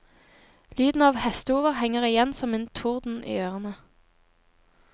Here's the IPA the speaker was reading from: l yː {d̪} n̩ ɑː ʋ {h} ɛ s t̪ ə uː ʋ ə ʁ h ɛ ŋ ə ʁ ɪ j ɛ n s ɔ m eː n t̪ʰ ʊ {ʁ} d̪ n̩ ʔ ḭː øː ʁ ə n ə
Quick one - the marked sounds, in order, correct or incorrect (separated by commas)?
correct, correct, correct